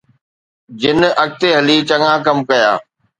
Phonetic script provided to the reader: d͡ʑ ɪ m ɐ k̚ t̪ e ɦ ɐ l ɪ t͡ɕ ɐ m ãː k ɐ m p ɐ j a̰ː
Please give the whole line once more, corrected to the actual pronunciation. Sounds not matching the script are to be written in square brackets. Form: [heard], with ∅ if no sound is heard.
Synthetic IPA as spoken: d͡ʑ ɪ [n] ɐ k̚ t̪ e ɦ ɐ l [i] t͡ɕ ɐ [ŋ] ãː k ɐ m [k] ɐ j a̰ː